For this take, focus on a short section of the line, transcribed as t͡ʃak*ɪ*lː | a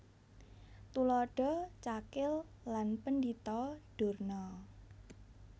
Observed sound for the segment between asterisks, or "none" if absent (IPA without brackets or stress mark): ɪ